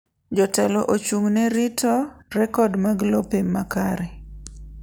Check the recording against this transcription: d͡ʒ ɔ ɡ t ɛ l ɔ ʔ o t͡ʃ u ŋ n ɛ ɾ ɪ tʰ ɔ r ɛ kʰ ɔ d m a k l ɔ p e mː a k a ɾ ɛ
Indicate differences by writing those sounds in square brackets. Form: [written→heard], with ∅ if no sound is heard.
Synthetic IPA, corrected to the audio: d͡ʒ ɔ [ɡ→∅] t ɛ l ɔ ʔ o t͡ʃ u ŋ n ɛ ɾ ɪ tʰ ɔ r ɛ [kʰ→k] ɔ d m a [k→ɡ] l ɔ p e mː a k a ɾ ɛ